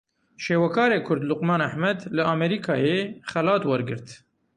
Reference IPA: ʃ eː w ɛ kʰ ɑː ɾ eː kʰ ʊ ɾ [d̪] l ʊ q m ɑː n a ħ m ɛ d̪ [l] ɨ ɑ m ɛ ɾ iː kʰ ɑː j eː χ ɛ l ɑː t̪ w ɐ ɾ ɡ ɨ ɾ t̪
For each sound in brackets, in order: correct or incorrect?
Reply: correct, correct

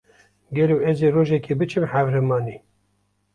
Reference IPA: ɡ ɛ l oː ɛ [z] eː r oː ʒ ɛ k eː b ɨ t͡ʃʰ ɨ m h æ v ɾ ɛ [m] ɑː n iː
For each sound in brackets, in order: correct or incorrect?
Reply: correct, correct

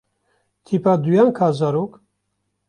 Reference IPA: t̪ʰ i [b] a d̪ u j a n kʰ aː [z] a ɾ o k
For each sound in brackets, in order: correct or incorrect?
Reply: incorrect, correct

